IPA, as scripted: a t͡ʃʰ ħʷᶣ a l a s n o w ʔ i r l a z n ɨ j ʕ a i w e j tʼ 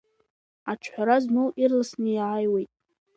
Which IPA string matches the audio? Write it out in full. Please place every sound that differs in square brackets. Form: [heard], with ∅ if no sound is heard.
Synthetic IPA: a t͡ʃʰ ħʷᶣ a [ɾ] a [z] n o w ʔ i r l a [s] n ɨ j ʕ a [j] w e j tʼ